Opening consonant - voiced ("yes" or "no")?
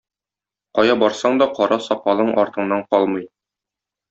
no